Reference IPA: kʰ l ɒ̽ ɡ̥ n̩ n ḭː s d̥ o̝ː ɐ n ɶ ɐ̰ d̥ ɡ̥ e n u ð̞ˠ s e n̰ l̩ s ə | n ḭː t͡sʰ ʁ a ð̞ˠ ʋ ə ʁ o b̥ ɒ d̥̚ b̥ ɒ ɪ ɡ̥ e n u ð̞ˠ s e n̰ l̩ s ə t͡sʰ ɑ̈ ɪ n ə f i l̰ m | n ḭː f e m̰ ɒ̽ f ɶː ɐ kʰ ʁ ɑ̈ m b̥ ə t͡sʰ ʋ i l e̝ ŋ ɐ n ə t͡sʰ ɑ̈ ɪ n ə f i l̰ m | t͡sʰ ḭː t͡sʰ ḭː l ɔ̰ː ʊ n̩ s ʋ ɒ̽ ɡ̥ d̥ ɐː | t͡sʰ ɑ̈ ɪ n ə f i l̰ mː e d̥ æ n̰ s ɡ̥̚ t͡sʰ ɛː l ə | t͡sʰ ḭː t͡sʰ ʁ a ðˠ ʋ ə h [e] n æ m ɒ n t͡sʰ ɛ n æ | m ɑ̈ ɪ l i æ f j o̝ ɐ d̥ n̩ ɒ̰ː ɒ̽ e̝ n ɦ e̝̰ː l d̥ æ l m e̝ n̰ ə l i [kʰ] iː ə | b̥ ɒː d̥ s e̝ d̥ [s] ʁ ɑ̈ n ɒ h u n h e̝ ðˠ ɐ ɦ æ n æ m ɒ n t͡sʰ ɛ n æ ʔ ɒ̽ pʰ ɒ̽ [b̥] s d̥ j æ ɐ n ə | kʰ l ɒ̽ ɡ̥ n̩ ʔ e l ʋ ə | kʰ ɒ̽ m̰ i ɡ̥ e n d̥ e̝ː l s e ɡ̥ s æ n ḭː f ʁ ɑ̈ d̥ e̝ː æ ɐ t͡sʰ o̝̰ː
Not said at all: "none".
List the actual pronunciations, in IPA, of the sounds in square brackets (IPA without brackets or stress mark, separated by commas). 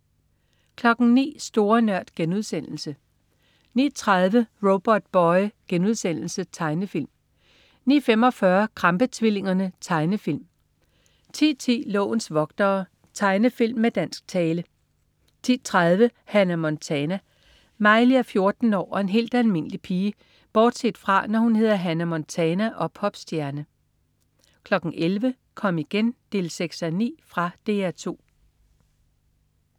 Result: æ, pʰ, f, b̥